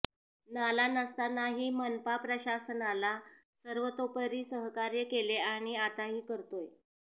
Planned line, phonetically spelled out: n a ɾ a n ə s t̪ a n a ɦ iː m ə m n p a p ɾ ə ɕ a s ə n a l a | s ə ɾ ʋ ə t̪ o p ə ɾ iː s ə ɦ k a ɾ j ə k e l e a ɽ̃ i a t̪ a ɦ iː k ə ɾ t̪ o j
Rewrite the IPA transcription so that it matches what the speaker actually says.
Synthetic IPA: n a l a n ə s t̪ a n a ɦ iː m ə n p a p ɾ ə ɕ a s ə n a l a | s ə ɾ ʋ ə t̪ o p ə ɾ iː s ə ɦ k a ɾ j ə k e l e a ɽ̃ i a t̪ a ɦ iː k ə ɾ t̪ o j